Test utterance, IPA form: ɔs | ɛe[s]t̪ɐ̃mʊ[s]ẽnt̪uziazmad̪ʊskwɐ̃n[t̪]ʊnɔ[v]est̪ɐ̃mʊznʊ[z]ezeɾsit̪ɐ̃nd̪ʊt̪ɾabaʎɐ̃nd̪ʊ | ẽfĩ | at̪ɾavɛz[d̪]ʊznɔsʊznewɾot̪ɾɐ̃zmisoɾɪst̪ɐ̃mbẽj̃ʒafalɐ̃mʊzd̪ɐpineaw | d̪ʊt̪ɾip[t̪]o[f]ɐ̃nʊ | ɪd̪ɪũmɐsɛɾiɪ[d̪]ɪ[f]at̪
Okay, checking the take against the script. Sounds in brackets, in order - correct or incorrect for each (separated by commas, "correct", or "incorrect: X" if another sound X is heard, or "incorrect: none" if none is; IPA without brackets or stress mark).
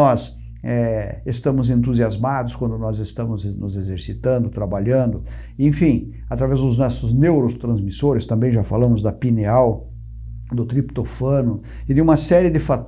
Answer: correct, incorrect: z, incorrect: d̪, incorrect: z, correct, correct, correct, correct, correct, correct